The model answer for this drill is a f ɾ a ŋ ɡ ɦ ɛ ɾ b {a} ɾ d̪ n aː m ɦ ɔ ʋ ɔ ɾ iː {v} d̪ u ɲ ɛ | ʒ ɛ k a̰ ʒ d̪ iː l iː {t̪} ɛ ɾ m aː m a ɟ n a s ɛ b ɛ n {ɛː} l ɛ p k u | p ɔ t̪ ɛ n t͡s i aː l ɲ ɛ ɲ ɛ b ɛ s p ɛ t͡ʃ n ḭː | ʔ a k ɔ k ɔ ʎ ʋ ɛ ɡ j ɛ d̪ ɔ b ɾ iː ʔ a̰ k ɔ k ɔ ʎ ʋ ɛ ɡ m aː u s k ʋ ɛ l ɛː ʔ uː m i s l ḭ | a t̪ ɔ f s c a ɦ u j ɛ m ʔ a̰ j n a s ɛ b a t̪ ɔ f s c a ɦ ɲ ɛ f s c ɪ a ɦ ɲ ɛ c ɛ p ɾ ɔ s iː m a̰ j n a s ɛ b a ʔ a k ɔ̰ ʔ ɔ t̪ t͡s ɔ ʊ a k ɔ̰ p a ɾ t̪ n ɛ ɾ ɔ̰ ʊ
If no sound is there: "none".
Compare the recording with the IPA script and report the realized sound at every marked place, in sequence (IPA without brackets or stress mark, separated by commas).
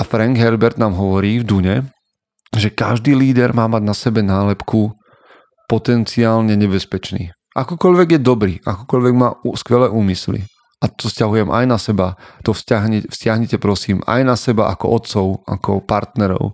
ɛ, v, d̪, aː